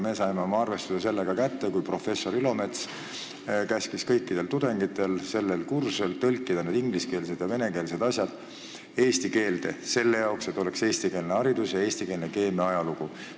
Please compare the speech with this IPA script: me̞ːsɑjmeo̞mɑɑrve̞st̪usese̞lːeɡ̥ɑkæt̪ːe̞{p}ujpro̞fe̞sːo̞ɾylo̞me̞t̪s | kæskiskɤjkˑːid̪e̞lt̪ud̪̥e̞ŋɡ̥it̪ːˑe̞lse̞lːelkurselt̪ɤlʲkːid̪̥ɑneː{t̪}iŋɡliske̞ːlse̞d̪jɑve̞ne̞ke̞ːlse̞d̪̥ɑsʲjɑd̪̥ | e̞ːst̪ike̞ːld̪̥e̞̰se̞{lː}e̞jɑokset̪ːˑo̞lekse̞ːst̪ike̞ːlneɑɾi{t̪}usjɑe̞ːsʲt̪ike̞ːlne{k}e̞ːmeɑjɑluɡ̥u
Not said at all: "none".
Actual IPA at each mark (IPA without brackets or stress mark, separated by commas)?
k, d̪, lː, d̪, k